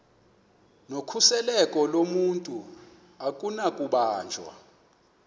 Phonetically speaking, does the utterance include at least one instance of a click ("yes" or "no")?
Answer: no